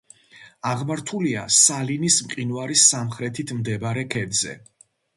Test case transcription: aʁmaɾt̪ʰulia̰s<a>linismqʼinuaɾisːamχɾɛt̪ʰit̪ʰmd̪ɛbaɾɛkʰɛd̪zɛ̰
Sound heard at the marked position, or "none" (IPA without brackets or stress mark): a